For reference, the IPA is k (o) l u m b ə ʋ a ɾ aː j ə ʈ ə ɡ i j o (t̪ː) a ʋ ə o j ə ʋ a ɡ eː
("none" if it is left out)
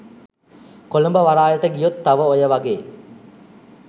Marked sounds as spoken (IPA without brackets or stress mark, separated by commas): o, t̪ː